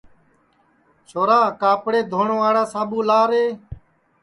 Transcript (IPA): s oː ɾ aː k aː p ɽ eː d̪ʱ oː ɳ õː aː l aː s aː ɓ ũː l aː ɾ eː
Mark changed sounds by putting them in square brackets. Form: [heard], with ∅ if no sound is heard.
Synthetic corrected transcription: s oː ɾ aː k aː p ɽ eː d̪ʱ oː ɳ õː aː [ɽ] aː s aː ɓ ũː l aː ɾ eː